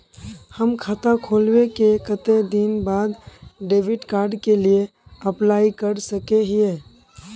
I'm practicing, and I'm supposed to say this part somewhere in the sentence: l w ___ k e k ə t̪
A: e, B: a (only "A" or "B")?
A